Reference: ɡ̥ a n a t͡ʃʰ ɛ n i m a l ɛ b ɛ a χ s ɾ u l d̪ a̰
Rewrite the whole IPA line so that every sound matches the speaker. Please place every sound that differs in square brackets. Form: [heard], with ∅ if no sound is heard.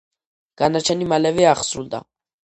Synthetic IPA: ɡ̥ a n a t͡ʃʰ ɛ n i m a l ɛ [v] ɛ a χ s ɾ u l d̪ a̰

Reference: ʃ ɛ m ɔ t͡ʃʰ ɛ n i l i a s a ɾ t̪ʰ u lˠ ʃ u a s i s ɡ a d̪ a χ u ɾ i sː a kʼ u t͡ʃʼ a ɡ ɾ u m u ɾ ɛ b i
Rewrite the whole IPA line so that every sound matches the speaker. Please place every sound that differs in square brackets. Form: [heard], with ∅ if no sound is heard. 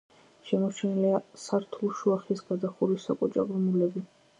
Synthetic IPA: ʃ ɛ m ɔ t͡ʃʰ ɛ n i l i a s a ɾ t̪ʰ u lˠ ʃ u a [χ] i s ɡ a d̪ a χ u ɾ i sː a kʼ [ɔ] t͡ʃʼ a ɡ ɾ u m u [l] ɛ b i

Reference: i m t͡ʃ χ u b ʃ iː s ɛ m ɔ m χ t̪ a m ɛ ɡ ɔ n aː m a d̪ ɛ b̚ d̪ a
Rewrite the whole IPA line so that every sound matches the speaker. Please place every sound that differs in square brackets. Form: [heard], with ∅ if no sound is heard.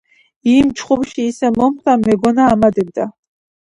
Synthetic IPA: i m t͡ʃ χ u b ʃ iː s ɛ m ɔ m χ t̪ a m ɛ ɡ ɔ n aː m a d̪ ɛ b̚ d̪ a

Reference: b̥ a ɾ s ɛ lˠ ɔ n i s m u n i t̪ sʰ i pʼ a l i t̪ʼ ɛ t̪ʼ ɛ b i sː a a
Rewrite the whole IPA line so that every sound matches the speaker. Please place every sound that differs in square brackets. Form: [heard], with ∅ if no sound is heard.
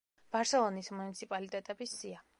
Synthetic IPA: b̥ a ɾ s ɛ lˠ ɔ n i s m u n i t̪ sʰ i pʼ a l i t̪ʼ ɛ t̪ʼ ɛ b i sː [i] a

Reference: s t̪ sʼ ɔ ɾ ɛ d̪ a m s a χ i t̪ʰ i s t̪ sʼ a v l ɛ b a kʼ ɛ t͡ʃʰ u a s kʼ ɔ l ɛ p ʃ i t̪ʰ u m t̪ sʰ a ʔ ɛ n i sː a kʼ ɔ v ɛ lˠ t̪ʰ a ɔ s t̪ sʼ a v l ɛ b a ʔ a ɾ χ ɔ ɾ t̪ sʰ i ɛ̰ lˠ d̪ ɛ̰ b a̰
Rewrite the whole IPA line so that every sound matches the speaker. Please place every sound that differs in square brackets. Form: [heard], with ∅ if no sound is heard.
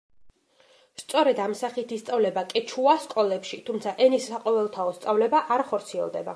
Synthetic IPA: s t̪ sʼ ɔ ɾ ɛ d̪ a m s a χ i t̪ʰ i s t̪ sʼ a v l ɛ b a kʼ ɛ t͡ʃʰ u a s kʼ ɔ l ɛ p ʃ i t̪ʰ u m t̪ sʰ a ʔ ɛ n i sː a [qʼ] ɔ v ɛ lˠ t̪ʰ a ɔ s t̪ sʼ a v l ɛ b a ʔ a ɾ χ ɔ ɾ t̪ sʰ i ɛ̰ lˠ d̪ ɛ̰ b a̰

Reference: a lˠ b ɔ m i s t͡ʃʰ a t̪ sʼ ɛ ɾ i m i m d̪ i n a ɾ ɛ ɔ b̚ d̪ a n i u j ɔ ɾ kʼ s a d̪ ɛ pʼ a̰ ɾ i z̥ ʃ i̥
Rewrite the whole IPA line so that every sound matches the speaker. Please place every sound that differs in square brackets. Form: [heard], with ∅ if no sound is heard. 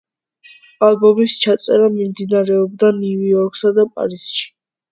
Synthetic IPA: a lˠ b ɔ m i s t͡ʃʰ a t̪ sʼ ɛ ɾ [a] m i m d̪ i n a ɾ ɛ ɔ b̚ d̪ a n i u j ɔ ɾ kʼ s a d̪ [a] pʼ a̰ ɾ i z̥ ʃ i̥

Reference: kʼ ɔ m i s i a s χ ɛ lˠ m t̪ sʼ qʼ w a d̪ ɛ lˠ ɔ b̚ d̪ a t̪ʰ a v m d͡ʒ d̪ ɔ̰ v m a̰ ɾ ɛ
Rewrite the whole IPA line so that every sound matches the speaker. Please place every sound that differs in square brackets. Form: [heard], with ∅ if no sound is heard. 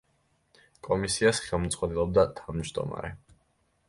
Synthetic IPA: kʼ ɔ m i s i a s χ ɛ lˠ m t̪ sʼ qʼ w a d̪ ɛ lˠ ɔ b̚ d̪ a t̪ʰ a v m d͡ʒ d̪ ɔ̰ [∅] m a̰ ɾ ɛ

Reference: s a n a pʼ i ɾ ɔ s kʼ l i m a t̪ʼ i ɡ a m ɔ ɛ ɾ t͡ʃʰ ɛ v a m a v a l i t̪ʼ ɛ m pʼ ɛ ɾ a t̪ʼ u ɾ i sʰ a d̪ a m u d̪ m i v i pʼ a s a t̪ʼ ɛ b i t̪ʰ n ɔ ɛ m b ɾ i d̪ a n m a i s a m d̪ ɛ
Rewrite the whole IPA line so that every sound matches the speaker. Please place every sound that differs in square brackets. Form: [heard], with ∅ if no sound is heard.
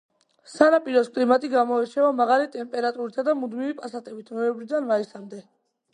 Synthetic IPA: s a n a pʼ i ɾ ɔ s kʼ l i m a t̪ʼ i ɡ a m ɔ ɛ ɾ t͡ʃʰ ɛ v a m a [ʁ] a l i t̪ʼ ɛ m pʼ ɛ ɾ a t̪ʼ u ɾ i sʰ a d̪ a m u d̪ m i v i pʼ a s a t̪ʼ ɛ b i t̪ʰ n ɔ ɛ m b ɾ i d̪ a n m a i s a m d̪ ɛ

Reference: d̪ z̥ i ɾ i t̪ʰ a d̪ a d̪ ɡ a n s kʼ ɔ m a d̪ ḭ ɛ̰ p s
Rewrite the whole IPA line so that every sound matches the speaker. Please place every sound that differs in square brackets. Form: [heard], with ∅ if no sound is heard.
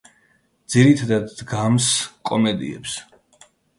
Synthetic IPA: d̪ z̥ i ɾ i t̪ʰ a d̪ a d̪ ɡ a [m] s kʼ ɔ m [ɛ] d̪ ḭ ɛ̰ p s

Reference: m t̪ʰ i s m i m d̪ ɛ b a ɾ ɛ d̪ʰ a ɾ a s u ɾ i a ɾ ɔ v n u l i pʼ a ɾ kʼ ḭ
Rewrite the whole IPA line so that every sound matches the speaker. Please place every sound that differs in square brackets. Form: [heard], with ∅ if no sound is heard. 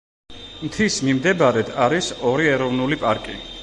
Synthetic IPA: m t̪ʰ i s m i m d̪ ɛ b a ɾ ɛ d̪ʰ a ɾ [i] s [ɔ] ɾ i [ɛ] ɾ ɔ v n u l i pʼ a ɾ kʼ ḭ

